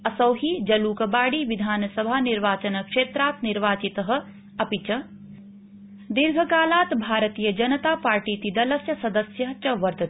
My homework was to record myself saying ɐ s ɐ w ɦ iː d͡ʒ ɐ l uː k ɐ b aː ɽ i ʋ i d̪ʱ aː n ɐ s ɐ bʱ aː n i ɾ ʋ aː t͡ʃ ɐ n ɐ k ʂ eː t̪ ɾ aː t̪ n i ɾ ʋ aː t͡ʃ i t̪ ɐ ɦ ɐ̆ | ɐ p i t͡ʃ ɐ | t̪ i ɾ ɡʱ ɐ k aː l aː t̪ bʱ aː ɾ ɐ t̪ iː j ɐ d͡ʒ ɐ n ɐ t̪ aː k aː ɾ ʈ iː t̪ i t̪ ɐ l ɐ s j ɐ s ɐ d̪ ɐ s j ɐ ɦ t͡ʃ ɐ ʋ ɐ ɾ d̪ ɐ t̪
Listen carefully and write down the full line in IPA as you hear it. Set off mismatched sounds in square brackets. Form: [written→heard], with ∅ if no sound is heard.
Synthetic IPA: ɐ s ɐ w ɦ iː d͡ʒ ɐ l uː k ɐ b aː ɽ i ʋ i d̪ʱ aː n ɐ s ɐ bʱ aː n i ɾ ʋ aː t͡ʃ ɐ n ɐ k ʂ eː t̪ ɾ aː t̪ n i ɾ ʋ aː t͡ʃ i t̪ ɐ ɦ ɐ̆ | ɐ p i t͡ʃ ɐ | [t̪→d̪] i ɾ ɡʱ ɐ k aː l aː t̪ bʱ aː ɾ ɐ t̪ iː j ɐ d͡ʒ ɐ n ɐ t̪ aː [k→p] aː ɾ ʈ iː t̪ i [t̪→d̪] ɐ l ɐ s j ɐ s ɐ d̪ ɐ s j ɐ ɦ t͡ʃ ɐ ʋ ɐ ɾ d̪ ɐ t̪